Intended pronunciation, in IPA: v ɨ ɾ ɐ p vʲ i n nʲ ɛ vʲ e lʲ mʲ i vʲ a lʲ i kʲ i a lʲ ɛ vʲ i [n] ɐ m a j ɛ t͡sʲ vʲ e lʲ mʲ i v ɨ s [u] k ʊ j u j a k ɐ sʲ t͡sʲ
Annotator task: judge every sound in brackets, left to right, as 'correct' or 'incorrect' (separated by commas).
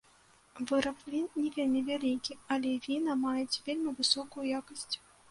correct, incorrect